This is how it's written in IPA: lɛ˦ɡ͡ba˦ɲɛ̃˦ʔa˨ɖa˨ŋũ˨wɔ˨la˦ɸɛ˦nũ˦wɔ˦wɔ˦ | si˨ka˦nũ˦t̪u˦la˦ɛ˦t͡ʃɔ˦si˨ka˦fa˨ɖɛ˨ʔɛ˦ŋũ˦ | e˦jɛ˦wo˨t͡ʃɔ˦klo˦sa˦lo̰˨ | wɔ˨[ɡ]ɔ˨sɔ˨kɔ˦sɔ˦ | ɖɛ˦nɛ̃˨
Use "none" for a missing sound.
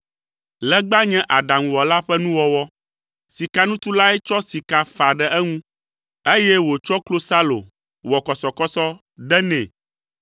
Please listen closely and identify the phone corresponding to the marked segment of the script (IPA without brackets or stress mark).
k